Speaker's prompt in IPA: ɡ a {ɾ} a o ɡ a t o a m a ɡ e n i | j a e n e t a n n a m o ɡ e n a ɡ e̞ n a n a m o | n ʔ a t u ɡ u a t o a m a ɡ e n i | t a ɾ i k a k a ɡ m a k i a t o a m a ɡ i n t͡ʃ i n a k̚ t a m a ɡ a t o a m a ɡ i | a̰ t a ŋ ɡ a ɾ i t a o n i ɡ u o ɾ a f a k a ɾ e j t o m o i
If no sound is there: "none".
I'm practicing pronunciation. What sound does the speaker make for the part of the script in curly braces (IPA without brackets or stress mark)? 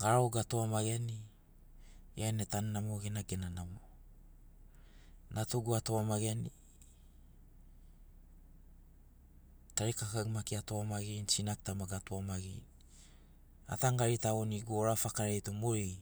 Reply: ɾ